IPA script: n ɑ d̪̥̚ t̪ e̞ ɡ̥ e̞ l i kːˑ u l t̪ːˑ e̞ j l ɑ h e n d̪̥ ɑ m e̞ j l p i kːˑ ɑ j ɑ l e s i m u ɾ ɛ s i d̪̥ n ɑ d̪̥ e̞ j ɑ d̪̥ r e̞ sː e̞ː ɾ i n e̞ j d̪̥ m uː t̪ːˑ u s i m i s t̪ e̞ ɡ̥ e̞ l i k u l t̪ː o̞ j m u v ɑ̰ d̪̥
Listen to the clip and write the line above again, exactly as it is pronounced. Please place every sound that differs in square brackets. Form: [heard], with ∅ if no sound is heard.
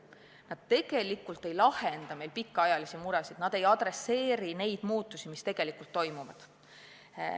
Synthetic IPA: n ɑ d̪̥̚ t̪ e̞ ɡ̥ e̞ l i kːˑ u l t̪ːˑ e̞ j l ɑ h e n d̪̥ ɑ m e̞ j l p i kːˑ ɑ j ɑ l [i] s i m u ɾ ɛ s i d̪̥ n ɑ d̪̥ e̞ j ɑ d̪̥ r e̞ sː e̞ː ɾ i n e̞ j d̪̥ m uː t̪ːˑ u s i m i s t̪ e̞ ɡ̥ e̞ l i k u l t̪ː o̞ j m u v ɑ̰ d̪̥